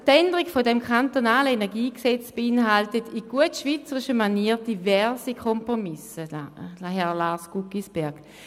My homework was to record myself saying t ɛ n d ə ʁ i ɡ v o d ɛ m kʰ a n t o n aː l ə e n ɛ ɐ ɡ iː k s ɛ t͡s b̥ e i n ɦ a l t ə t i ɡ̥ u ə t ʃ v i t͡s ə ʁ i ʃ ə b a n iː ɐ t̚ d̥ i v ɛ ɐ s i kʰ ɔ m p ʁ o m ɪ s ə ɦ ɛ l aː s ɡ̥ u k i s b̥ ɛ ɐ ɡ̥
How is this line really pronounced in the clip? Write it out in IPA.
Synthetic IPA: t ɛ n d ə ʁ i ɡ f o d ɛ m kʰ a n t o n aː l ə e n ɛ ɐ ɡ iː k s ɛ t͡s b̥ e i n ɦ a l t ə t i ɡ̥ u ə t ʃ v i t͡s ə ʁ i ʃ ə m a n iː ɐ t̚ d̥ i v ɛ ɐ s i kʰ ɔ m p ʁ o m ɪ s ə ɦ ɛ l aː s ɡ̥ u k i s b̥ ɛ ɐ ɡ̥